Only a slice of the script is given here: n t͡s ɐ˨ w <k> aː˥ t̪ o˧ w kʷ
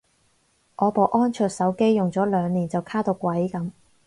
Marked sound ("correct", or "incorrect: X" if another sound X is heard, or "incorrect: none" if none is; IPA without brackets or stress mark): incorrect: kʰ